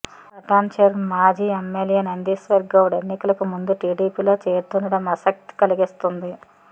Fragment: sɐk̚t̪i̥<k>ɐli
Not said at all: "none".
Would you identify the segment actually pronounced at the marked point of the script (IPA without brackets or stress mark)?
k